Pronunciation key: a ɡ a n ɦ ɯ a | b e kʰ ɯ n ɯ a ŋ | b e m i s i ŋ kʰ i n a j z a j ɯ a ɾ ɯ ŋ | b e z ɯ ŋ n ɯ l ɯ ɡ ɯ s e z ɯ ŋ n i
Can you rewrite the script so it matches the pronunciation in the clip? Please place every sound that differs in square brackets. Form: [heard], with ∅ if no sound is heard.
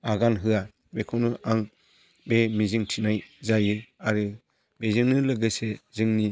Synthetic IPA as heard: a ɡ a n ɦ ɯ a | b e kʰ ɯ n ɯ a ŋ | b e m i [z] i ŋ [tʰ] i n a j z a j ɯ a ɾ ɯ [∅] | b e z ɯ ŋ n ɯ l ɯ ɡ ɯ s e z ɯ ŋ n i